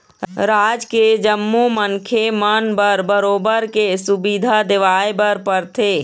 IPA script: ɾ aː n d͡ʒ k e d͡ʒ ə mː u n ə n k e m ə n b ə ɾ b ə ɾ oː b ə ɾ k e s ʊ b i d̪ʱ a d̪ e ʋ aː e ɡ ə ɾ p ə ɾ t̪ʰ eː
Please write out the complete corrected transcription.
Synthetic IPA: ɾ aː d͡ʒ k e d͡ʒ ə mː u m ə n kʰ e m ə n b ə ɾ b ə ɾ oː b ə ɾ k e s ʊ b i d̪ʱ a d̪ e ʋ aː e b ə ɾ p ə ɾ t̪ʰ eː

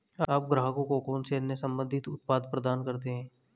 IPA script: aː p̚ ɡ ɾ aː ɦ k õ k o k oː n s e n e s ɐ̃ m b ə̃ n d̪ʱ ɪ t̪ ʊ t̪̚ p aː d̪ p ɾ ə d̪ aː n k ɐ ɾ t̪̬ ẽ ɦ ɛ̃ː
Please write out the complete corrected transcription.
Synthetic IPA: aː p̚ ɡ ɾ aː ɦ k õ k o k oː n s e n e s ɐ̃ m b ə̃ n d̪ʱ ɪ t̪ ʊ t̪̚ p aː d̪ p ɾ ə d̪ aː n k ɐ ɾ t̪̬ e ɦ ɛ̃ː

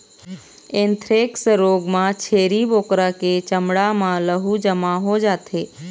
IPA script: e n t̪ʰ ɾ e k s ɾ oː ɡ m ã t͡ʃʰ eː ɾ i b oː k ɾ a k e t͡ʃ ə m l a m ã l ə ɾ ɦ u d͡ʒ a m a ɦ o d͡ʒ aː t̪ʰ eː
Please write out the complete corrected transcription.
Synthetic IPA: e n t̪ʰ ɾ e k s ɾ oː ɡ m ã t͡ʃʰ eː ɾ i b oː k ɾ a k e t͡ʃ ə m ɽ a m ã l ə ɦ u d͡ʒ ə m a ɦ o d͡ʒ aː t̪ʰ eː

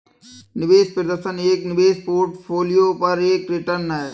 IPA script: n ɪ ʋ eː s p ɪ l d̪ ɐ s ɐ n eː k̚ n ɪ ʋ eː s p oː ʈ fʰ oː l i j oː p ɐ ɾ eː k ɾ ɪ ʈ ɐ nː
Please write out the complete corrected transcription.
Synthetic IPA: n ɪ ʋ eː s p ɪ ɾ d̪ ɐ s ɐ n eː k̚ n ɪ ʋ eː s p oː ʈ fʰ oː l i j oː p ɐ ɾ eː k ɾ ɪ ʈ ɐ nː

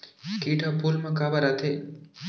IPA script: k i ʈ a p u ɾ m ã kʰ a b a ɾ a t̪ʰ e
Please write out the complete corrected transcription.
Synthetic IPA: k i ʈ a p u l m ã k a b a ɾ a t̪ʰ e

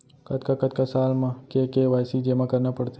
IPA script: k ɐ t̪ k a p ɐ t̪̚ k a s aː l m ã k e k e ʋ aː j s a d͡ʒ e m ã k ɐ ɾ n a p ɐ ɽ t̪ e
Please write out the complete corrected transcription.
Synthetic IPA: k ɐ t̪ k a k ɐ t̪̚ k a s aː l m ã k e k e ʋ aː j s i d͡ʒ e m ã k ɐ ɾ n a p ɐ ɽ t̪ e

